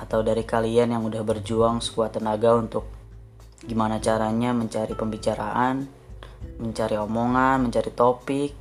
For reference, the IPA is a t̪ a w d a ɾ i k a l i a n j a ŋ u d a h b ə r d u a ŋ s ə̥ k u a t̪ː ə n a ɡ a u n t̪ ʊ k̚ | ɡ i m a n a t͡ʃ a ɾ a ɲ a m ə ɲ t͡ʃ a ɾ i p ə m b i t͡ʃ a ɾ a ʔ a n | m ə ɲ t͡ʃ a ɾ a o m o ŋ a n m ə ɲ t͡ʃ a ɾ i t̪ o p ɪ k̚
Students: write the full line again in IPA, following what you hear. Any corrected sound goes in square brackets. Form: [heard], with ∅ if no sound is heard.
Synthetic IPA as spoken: a t̪ a w d a ɾ i k a l i a n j a ŋ u d a h b ə r [d͡ʒ] u a ŋ s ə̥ k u a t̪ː ə n a ɡ a u n t̪ ʊ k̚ | ɡ i m a n a t͡ʃ a ɾ a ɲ a m ə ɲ t͡ʃ a ɾ i p ə m b i t͡ʃ a ɾ a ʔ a n | m ə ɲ t͡ʃ a ɾ [i] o m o ŋ a n m ə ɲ t͡ʃ a ɾ i t̪ o p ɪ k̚